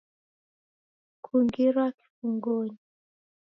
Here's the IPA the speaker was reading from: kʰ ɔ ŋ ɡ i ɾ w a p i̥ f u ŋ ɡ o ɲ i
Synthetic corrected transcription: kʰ u ŋ ɡ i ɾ w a k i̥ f u ŋ ɡ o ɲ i

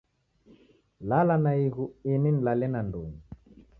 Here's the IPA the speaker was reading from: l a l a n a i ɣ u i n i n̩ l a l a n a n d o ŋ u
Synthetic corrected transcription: l a l a n a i ɣ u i n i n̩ l a l ɛ n a n d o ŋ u

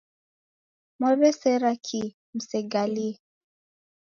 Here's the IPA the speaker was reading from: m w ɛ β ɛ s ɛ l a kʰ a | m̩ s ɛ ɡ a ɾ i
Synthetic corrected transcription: m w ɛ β ɛ s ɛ ɾ a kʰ i | m̩ s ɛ ɡ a l i

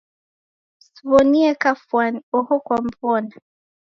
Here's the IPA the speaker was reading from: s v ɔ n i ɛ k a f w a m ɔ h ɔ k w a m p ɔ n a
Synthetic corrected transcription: s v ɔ n i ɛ k a f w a n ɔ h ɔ k w a m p ɔ n a

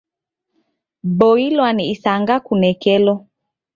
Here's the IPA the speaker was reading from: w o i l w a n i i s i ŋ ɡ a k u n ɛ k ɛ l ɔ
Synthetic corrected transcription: b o i l w a n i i s a ŋ ɡ a k u n ɛ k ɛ l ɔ

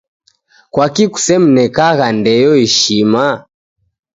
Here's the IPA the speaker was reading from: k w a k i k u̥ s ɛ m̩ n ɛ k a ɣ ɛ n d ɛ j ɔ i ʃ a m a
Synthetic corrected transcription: k w a k i k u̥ s ɛ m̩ n ɛ k a ɣ a n d ɛ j ɔ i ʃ i m a

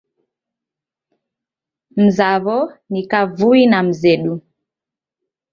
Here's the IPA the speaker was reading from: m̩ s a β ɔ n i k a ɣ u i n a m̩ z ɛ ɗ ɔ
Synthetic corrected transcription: m̩ z a β ɔ n i k a v u i n a m̩ z ɛ ɗ u

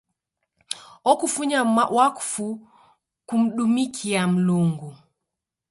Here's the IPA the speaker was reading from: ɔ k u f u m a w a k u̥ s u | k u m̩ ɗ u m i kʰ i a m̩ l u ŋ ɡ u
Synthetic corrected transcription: ɔ k u f u ɲ a w a k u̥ f u | k u m̩ ɗ u m i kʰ i a m̩ l u ŋ ɡ u

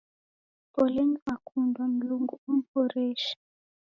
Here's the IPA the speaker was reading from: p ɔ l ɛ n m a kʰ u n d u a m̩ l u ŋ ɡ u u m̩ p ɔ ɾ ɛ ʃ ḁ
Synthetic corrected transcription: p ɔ l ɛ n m a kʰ u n d w a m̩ l u ŋ ɡ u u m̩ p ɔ ɾ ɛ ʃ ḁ

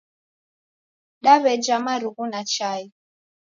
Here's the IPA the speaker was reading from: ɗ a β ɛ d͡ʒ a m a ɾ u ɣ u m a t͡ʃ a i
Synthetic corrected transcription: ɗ a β ɛ d͡ʒ a m a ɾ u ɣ u n a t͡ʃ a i

